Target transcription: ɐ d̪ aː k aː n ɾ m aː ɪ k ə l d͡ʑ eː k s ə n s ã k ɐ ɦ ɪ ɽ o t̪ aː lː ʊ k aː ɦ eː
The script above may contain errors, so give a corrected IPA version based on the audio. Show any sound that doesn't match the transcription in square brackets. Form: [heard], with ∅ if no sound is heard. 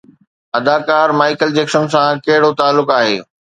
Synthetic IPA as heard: ɐ d̪ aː k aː [∅] ɾ m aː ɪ k ə l d͡ʑ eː k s ə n s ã k ɐ ɦ ɪ ɽ o t̪ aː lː ʊ k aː ɦ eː